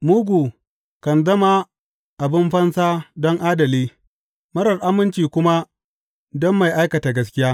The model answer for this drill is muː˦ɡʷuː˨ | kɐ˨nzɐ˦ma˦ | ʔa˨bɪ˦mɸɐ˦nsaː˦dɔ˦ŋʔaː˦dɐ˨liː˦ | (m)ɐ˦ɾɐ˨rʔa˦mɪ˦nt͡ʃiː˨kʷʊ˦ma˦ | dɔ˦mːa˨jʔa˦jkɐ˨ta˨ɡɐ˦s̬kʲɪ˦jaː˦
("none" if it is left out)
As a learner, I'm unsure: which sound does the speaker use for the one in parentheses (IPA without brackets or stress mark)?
m